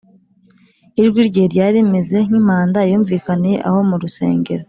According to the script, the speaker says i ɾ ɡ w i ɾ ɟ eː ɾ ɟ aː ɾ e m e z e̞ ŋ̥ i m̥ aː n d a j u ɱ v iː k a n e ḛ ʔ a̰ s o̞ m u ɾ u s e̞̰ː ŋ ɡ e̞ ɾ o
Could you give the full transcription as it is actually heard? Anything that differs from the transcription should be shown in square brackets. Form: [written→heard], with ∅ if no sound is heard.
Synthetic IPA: i ɾ ɡ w i ɾ ɟ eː ɾ ɟ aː ɾ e m e z e̞ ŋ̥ i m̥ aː n d a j [u→uː] ɱ v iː k a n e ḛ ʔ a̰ [s→h] o̞ m u ɾ u s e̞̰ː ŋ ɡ e̞ ɾ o